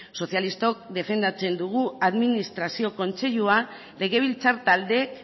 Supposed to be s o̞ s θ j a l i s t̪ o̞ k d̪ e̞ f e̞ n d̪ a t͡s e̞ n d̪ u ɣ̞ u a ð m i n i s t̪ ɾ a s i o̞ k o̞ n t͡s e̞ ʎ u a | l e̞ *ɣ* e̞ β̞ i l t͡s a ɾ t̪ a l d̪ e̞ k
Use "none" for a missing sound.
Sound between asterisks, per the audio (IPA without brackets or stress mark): ɣ